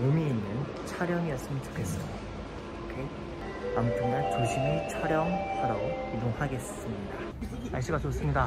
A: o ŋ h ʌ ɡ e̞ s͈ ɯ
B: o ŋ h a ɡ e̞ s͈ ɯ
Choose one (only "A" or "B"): B